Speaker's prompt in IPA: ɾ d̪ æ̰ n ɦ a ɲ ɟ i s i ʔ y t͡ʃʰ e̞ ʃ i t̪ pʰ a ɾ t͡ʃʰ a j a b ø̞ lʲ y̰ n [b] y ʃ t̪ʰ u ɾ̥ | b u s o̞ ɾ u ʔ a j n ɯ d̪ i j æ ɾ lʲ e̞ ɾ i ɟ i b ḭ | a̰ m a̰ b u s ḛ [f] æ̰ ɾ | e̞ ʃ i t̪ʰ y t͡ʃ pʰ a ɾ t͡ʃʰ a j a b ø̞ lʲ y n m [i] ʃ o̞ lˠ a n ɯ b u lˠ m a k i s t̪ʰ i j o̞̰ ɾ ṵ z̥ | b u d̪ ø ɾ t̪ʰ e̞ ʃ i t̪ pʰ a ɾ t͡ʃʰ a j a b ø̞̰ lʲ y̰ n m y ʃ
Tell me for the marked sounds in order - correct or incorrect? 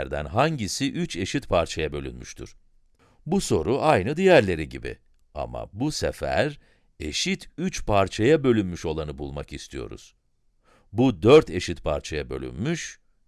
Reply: incorrect, correct, incorrect

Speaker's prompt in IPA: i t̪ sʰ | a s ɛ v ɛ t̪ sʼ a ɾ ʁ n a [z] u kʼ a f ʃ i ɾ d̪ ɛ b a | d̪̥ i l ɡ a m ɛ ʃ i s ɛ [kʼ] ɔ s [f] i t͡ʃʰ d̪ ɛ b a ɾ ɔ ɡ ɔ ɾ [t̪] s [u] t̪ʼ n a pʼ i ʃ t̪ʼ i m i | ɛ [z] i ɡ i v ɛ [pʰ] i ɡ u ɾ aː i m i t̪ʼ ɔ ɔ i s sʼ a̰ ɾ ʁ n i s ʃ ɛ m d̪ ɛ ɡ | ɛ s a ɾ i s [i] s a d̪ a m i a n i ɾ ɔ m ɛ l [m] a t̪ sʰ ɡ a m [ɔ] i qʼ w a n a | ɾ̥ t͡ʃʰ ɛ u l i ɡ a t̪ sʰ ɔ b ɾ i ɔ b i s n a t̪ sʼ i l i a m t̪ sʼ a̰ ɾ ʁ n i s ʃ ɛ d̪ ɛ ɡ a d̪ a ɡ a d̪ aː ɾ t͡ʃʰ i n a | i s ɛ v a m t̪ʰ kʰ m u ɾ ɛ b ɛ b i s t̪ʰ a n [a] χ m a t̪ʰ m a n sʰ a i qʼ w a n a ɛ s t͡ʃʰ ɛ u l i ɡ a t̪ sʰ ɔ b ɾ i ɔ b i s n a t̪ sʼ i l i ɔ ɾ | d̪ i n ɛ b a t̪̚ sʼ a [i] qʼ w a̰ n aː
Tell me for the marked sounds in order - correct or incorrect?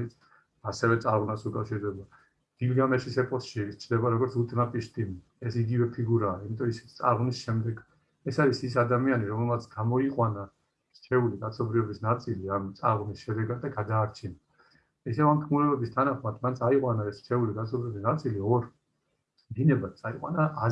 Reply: incorrect, incorrect, incorrect, correct, correct, incorrect, correct, correct, correct, correct, correct, correct

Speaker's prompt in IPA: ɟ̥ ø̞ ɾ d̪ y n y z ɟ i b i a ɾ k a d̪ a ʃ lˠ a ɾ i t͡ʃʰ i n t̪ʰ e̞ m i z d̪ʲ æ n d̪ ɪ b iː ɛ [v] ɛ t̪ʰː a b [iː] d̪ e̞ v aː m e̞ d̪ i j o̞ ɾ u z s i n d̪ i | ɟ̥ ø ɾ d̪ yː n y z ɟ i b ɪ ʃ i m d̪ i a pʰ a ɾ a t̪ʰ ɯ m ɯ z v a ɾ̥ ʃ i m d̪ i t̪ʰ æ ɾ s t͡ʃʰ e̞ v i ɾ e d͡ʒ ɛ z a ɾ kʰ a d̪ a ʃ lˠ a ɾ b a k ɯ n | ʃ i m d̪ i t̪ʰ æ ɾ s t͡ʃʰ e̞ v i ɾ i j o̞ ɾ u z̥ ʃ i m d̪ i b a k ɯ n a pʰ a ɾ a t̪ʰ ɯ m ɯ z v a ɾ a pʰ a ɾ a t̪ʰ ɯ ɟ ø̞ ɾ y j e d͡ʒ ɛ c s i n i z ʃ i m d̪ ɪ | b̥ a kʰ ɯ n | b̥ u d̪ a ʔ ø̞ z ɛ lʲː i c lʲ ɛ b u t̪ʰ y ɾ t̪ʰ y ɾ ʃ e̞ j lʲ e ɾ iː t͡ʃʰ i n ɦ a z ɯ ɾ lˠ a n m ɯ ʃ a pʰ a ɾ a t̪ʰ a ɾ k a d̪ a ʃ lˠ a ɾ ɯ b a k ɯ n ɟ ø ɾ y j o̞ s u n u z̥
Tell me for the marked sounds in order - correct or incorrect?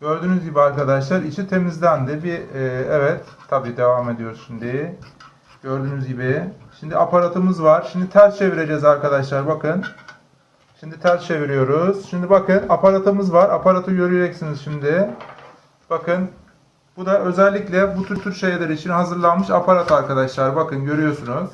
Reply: correct, correct

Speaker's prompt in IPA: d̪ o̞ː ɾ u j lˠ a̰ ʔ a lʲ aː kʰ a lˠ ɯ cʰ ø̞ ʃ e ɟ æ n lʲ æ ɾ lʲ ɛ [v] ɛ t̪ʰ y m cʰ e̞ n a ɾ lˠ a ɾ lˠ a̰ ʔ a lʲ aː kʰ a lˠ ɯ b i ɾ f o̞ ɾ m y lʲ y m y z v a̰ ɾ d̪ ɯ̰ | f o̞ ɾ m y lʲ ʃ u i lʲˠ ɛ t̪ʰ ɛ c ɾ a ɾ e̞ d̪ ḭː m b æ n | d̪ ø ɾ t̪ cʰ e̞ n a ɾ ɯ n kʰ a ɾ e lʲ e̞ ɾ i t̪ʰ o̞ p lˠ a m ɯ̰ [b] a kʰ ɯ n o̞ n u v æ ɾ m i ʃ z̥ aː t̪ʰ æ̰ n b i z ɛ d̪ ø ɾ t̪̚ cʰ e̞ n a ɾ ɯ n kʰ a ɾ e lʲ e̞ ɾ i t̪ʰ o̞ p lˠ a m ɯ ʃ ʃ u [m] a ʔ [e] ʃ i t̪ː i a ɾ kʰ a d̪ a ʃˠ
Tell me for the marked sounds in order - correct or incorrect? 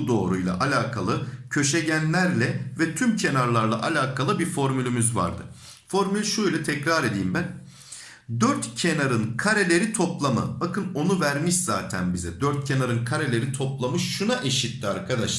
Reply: correct, correct, incorrect, correct

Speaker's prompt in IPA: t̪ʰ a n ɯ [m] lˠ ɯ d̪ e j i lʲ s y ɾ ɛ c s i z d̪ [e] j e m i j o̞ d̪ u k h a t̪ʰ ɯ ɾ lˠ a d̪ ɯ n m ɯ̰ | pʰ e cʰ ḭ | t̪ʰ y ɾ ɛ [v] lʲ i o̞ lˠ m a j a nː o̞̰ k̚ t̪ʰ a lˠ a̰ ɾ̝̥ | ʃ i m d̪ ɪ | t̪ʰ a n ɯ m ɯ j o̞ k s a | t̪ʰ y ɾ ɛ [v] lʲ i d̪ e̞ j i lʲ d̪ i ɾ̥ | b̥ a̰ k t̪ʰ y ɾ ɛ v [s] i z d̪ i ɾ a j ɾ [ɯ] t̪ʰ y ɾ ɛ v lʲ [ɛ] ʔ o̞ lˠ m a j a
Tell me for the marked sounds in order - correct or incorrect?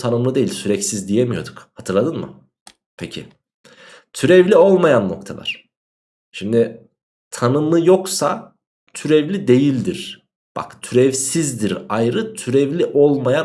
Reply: correct, incorrect, correct, correct, correct, correct, incorrect

